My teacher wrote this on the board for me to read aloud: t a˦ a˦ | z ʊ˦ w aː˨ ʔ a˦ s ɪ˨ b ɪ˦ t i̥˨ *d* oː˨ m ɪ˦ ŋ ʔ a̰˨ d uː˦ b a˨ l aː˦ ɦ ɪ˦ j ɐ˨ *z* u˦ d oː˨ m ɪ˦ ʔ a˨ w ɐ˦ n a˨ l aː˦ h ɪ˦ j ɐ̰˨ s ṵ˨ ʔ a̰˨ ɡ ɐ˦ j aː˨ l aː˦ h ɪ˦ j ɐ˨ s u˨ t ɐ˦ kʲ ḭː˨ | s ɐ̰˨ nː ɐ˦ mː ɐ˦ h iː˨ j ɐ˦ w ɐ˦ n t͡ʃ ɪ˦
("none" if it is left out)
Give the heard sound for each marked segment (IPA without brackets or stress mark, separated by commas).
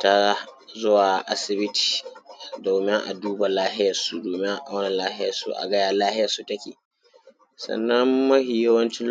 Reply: d, s